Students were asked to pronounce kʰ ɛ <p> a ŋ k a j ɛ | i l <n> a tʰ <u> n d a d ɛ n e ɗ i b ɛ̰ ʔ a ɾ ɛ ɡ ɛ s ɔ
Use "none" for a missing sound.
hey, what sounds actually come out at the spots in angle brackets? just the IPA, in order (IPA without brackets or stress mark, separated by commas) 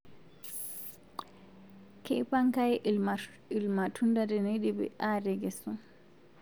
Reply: p, m, u